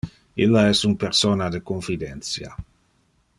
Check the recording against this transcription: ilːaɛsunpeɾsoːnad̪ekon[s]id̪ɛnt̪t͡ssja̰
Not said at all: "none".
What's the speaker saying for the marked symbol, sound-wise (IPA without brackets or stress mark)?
f